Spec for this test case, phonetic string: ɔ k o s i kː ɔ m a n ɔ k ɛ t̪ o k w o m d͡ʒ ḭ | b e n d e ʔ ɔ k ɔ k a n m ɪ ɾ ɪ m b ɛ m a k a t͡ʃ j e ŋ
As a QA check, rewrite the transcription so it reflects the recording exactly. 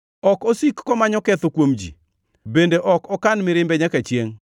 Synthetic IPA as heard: ɔ k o s i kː ɔ m a ɲ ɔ k ɛ t̪ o k w o m d͡ʒ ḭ | b e n d e ʔ ɔ k ɔ k a n m ɪ ɾ ɪ m b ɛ ɲ a k a t͡ʃ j e ŋ